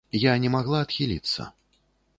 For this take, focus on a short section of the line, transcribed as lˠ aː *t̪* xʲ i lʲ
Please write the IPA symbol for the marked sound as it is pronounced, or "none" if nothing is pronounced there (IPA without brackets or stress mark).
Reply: t̪